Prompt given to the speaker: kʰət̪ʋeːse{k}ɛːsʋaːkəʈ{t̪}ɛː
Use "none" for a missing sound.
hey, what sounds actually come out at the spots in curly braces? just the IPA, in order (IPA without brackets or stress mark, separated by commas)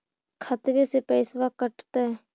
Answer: p, t̪